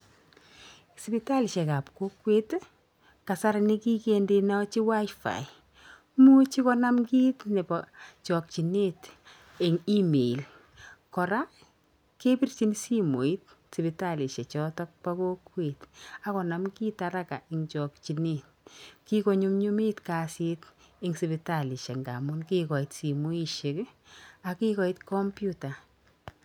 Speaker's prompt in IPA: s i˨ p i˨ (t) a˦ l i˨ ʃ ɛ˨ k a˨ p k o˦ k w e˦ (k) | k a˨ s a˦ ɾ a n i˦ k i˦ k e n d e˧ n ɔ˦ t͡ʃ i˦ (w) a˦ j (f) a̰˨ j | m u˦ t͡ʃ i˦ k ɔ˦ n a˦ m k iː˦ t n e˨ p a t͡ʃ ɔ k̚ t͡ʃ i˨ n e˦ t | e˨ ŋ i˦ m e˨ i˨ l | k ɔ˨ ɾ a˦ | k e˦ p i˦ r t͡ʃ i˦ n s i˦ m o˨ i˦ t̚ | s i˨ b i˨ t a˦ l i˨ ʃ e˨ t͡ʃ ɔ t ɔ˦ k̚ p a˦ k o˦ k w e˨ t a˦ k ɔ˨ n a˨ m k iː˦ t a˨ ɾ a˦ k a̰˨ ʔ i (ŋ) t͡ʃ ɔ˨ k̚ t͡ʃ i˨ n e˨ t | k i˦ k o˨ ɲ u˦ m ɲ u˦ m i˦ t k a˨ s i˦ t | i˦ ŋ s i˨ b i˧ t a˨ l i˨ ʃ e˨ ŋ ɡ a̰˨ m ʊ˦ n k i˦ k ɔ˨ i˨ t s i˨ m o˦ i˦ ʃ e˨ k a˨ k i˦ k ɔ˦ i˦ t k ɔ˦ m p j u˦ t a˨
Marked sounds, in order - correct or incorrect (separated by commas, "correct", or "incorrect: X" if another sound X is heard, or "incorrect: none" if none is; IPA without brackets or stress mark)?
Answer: correct, incorrect: t, correct, correct, correct